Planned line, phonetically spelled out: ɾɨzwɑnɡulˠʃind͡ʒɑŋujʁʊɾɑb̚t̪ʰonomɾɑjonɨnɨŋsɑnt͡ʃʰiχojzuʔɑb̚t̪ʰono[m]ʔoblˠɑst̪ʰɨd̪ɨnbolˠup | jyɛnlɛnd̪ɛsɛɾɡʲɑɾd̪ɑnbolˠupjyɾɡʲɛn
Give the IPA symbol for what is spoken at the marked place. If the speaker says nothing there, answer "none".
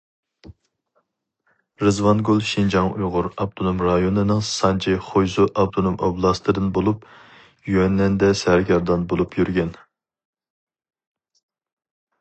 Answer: m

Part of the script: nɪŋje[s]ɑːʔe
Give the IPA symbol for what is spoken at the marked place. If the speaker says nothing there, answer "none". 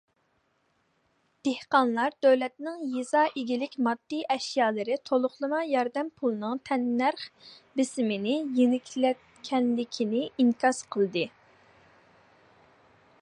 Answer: z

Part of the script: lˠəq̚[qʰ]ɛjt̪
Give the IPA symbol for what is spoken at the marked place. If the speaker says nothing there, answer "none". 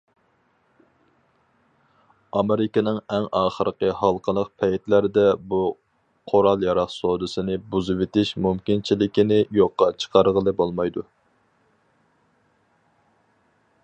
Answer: pʰ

